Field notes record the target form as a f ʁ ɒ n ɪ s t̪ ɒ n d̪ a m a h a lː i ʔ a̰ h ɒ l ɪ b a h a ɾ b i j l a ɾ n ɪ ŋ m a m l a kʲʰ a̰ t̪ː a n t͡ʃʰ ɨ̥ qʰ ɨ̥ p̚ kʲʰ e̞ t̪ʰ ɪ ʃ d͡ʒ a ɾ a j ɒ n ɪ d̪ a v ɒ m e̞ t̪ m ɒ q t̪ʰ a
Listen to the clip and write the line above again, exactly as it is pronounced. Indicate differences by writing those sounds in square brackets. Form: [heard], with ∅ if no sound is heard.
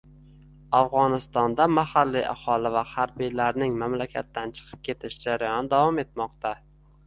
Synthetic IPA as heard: a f ʁ ɒ n ɪ s t̪ ɒ n d̪ a m a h a lː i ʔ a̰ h ɒ l ɪ [v] a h a ɾ b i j l a ɾ n ɪ ŋ m a m l a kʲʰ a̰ t̪ː a n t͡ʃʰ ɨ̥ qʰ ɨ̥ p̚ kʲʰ e̞ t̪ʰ ɪ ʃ d͡ʒ a ɾ a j ɒ n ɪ d̪ a v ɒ m e̞ t̪ m ɒ q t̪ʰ a